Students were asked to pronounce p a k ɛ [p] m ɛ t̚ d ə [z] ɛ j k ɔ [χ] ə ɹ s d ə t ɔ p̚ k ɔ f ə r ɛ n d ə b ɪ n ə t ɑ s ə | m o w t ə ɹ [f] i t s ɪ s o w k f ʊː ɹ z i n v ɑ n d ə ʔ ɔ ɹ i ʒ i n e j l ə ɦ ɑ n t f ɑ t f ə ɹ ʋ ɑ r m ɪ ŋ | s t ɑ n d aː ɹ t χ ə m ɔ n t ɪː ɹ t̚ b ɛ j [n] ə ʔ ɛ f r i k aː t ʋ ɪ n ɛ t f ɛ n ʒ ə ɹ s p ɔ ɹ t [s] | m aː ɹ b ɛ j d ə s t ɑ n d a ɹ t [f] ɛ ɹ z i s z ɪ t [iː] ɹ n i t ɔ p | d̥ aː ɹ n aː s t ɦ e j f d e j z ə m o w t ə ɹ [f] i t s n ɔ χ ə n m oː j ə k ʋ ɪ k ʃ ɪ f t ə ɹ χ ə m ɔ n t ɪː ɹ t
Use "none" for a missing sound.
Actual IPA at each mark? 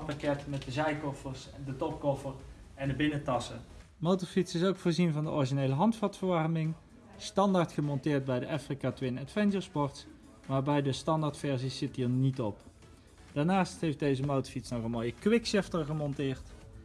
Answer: t, z, f, f, d, s, f, iː, f

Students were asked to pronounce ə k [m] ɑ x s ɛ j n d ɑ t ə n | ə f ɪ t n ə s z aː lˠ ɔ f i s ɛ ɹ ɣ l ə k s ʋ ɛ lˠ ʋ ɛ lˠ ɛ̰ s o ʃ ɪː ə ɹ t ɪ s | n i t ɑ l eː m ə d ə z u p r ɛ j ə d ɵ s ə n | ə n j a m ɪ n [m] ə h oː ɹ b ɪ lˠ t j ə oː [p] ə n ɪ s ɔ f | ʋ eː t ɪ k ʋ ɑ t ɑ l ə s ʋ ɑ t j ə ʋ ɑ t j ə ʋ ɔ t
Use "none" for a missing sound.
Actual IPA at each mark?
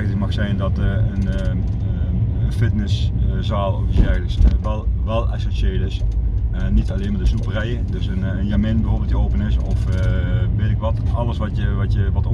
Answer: m, b, p

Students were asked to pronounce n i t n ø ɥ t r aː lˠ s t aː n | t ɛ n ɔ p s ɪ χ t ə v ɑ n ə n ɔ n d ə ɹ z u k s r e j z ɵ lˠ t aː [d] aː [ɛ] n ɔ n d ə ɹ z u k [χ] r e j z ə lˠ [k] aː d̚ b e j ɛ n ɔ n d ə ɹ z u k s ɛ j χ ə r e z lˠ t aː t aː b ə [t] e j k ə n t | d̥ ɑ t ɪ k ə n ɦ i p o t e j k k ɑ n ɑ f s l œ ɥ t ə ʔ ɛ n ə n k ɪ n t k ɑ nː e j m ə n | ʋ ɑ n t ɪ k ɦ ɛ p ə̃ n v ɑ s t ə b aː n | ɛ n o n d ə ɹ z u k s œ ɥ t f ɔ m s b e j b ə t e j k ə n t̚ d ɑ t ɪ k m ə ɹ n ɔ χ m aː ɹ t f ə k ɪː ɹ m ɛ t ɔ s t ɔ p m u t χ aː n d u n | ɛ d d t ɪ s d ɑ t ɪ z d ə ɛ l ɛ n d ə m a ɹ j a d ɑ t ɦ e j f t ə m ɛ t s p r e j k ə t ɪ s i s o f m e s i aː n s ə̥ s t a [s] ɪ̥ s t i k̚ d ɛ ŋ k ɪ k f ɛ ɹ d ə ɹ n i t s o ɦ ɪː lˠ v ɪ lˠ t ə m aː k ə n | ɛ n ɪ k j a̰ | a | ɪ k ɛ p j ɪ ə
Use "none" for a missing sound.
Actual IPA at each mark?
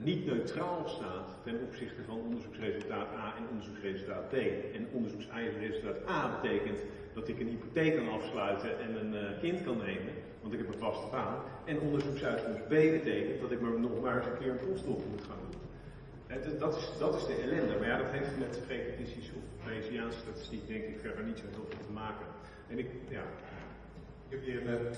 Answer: t, ɛ, s, t, t, t

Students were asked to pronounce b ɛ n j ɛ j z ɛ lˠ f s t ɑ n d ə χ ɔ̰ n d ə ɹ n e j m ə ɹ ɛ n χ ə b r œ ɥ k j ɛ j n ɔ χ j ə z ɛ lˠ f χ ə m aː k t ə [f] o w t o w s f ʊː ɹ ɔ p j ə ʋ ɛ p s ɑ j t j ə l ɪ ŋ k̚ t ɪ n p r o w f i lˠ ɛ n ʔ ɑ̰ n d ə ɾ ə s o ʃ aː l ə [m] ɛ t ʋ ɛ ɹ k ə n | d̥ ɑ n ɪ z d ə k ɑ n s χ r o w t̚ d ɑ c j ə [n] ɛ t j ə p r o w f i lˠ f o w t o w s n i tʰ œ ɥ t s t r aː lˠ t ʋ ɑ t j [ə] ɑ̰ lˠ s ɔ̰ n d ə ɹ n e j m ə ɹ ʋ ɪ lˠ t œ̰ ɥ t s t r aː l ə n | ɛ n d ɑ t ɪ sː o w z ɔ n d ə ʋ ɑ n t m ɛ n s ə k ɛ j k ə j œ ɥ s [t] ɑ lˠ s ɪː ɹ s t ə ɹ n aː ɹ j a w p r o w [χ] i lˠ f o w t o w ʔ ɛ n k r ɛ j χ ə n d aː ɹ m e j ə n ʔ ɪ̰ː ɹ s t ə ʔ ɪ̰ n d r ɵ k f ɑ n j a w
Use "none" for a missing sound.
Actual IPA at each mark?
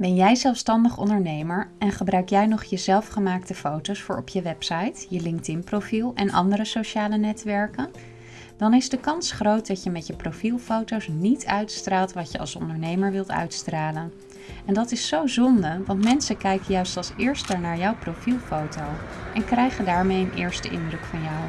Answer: f, n, m, ə, t, f

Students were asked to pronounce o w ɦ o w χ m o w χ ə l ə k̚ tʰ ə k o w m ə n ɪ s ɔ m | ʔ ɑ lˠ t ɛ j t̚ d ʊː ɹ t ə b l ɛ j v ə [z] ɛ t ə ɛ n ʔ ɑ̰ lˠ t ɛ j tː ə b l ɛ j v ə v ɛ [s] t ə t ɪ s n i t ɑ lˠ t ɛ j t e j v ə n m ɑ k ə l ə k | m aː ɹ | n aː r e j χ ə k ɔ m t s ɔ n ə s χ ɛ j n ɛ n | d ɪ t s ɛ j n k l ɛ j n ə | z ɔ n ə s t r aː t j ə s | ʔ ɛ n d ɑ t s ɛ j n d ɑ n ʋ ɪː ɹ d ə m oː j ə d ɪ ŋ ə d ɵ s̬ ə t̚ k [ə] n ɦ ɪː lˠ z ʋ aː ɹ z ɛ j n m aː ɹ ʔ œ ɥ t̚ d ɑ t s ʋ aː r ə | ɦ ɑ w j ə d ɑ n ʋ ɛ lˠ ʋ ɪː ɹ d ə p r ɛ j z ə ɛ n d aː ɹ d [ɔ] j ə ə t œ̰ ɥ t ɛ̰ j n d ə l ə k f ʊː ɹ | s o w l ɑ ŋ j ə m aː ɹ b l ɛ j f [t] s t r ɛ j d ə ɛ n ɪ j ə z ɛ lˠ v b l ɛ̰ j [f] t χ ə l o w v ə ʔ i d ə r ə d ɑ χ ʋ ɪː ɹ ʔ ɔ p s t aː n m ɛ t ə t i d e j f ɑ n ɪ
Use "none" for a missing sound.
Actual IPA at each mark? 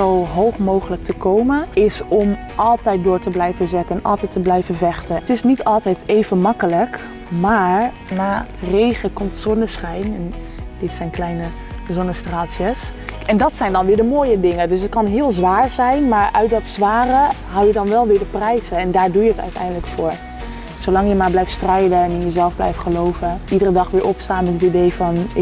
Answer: z, χ, ɑ, u, t, f

